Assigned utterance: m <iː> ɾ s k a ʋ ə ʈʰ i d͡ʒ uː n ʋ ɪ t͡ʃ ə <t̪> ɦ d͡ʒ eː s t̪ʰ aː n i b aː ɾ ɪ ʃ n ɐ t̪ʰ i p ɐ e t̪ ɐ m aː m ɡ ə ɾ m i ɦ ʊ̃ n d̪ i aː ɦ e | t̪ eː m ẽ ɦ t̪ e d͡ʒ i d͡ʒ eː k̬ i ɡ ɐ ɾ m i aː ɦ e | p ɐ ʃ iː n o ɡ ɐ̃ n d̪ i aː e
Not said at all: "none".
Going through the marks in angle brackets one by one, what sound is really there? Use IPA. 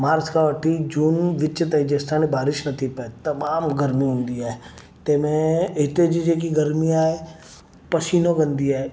aː, t̪

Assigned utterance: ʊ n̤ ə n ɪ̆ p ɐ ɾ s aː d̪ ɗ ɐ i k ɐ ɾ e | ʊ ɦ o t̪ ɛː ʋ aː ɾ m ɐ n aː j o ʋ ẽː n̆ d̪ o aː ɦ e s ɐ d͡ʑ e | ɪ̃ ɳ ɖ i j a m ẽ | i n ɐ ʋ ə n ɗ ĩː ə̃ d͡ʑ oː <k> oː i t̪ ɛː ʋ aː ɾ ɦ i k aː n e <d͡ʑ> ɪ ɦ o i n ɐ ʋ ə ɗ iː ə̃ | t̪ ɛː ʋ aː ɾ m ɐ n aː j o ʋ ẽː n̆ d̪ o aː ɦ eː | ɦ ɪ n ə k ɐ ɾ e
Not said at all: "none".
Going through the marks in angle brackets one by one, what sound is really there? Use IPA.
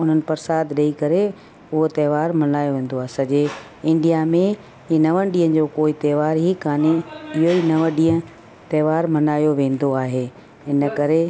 k, none

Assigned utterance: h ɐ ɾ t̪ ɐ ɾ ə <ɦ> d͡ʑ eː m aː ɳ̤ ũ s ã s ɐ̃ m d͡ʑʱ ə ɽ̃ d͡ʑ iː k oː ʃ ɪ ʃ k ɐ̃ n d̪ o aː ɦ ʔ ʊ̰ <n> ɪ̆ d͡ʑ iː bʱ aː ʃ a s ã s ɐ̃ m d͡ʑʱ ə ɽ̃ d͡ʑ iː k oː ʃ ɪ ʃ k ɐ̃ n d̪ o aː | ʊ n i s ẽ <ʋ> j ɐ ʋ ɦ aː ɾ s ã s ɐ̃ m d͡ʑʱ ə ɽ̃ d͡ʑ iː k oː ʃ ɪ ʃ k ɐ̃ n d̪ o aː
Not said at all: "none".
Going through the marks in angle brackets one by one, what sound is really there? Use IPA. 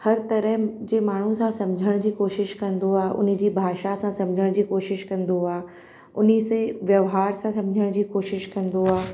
ɦ, n, ʋ

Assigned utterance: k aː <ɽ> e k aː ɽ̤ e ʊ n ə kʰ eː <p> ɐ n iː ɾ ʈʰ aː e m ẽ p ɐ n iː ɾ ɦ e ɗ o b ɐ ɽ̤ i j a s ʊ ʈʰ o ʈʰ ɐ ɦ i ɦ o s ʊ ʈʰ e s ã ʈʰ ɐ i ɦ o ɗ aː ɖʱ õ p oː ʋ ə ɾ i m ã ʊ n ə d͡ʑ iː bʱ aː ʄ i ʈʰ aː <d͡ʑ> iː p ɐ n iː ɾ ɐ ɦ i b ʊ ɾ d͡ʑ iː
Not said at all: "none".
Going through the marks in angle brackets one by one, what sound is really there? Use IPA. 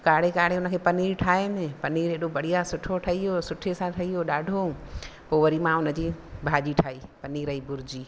ɽ, p, none

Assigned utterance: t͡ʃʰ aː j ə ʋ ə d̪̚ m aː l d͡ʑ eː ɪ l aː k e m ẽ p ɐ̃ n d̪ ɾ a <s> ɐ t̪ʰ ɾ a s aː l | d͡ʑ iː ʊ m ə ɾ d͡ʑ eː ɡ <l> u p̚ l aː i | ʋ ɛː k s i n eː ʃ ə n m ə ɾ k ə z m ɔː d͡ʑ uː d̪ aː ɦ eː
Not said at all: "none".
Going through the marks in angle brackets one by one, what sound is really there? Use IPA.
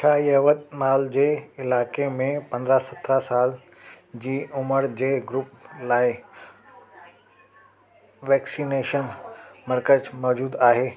s, ɾ

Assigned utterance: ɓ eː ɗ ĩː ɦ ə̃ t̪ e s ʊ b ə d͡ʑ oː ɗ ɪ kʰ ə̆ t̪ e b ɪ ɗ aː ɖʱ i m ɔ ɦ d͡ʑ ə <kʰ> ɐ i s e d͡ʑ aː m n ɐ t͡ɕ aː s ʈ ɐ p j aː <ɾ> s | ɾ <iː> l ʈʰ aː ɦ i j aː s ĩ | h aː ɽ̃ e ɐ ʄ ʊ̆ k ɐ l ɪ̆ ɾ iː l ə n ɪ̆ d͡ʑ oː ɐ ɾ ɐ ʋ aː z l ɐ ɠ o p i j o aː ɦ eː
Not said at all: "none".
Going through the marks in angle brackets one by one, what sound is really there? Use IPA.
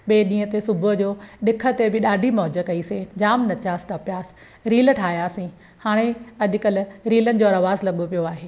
k, none, iː

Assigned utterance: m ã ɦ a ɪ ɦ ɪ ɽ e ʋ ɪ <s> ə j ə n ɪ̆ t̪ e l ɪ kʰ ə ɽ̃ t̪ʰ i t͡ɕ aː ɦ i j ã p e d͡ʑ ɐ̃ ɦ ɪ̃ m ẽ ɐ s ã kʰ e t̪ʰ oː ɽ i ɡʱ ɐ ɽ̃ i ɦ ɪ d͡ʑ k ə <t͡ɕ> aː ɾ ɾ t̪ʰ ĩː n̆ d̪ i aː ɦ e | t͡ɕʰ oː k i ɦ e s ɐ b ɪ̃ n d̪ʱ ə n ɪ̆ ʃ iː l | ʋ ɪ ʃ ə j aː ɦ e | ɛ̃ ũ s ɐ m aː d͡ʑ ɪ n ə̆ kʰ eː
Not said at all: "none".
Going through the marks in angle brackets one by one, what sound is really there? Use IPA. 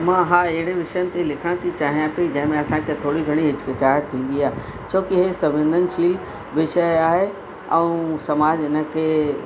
ʃ, t͡ɕ

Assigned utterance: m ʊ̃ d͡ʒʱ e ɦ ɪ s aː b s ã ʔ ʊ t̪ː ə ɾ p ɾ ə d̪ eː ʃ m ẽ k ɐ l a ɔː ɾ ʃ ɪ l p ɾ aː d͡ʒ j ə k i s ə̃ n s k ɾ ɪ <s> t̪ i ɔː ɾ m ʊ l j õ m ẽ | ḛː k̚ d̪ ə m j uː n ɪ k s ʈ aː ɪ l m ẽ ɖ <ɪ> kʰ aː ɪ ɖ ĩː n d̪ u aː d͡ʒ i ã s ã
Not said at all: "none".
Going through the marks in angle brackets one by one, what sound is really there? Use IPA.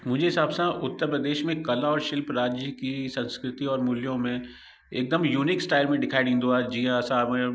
none, ɪ

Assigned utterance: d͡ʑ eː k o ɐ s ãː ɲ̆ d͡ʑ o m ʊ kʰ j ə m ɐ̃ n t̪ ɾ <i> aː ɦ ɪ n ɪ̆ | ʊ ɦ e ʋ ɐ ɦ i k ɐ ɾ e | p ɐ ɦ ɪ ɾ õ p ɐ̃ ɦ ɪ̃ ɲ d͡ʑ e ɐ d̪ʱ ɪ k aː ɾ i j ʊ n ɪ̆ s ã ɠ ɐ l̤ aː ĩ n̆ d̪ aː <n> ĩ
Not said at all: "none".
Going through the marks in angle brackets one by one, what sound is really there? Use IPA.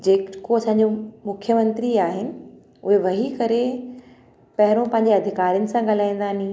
i, n

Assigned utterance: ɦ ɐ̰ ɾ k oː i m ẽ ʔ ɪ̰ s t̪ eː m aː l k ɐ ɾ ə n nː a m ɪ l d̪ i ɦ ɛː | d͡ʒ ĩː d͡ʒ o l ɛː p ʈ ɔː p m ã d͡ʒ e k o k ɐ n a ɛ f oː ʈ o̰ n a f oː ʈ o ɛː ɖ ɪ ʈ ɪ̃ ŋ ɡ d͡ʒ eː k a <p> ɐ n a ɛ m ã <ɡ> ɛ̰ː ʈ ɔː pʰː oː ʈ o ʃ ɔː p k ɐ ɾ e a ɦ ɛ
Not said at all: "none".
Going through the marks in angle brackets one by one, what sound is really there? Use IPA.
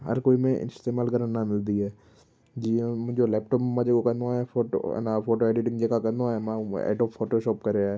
k, none

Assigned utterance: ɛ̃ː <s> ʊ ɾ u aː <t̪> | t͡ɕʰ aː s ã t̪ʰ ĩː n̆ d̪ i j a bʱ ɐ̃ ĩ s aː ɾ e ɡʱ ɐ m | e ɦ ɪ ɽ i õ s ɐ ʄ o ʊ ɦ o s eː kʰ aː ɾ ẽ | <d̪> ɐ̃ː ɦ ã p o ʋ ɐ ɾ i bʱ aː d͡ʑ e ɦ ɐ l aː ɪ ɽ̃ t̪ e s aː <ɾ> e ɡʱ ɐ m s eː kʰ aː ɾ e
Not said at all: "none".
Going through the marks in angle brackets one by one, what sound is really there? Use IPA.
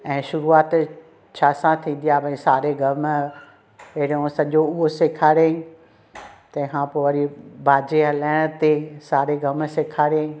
ʃ, t̪, t̪, ɾ

